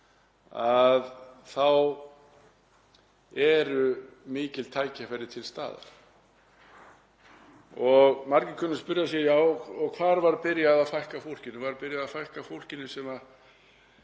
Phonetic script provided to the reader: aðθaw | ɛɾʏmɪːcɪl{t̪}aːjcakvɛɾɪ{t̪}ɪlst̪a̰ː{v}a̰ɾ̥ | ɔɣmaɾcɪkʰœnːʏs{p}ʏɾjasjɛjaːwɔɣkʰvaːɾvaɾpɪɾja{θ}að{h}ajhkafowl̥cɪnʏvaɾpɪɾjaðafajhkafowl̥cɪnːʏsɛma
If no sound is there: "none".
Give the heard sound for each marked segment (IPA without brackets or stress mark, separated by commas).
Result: t̪ʰ, t̪ʰ, ð, p, ð, f